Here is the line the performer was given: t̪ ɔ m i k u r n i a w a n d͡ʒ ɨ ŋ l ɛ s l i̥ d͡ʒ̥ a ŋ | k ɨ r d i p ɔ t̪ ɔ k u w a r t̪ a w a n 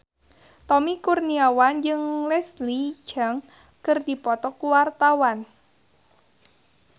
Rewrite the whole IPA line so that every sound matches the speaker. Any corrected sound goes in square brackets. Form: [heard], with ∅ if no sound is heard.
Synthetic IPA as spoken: t̪ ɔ m i k u r n i a w a n d͡ʒ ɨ ŋ l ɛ s l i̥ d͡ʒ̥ a ŋ | k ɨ r d i p ɔ t̪ ɔ k u w a r t̪ a w a n